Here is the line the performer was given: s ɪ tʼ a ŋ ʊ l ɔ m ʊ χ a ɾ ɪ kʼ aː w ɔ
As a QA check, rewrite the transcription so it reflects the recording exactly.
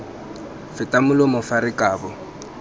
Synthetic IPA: f ɪ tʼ a m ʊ l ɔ m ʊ f a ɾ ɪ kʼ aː b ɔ

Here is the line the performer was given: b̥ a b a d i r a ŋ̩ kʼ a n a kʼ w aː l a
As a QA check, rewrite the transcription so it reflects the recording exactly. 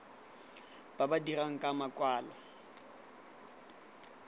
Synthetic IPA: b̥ a b a d i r a ŋ̩ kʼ a m a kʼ w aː l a

